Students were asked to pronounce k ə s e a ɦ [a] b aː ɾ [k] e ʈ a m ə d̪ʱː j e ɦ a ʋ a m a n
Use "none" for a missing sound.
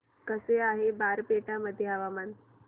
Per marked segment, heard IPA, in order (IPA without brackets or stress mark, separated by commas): e, p